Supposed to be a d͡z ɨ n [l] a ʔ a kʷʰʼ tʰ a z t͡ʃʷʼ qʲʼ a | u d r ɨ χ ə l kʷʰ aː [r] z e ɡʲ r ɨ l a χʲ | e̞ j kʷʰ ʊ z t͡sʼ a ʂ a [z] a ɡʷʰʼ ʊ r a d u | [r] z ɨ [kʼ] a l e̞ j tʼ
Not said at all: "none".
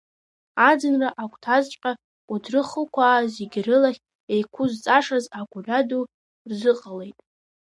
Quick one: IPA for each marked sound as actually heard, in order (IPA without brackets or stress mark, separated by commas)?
r, none, z, r, qʼ